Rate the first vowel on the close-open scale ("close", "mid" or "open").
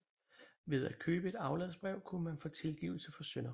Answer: mid